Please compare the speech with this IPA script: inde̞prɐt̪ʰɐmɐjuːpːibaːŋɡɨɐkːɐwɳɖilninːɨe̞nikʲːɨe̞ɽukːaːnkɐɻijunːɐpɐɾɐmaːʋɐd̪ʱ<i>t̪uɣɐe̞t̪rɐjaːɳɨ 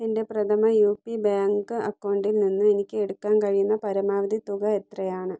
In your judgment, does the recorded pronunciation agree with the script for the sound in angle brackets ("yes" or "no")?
yes